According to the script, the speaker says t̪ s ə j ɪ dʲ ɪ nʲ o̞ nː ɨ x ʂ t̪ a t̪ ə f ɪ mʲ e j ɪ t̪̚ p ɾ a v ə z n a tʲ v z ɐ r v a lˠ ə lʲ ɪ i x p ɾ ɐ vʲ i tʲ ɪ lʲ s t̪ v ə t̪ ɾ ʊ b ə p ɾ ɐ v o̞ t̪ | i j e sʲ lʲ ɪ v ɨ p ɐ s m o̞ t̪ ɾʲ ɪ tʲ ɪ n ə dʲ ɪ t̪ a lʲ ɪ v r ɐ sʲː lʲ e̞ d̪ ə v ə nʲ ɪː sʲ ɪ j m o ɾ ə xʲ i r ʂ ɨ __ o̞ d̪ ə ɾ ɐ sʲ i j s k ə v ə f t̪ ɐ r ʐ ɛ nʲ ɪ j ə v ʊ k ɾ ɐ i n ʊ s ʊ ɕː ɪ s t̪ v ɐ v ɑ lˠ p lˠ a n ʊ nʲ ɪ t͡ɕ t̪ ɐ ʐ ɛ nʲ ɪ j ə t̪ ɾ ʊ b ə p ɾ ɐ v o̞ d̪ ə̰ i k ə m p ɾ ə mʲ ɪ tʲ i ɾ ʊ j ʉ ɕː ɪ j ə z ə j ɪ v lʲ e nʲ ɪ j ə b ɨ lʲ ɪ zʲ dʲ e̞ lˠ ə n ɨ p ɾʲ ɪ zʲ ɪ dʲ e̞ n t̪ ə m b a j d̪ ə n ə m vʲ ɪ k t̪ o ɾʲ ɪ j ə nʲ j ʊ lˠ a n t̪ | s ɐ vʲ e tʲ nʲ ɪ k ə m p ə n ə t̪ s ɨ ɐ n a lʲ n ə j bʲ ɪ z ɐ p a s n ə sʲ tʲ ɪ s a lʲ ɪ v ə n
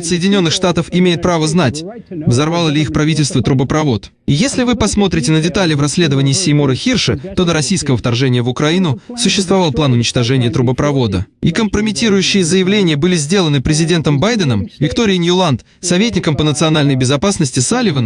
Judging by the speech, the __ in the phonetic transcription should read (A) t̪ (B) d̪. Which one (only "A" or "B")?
A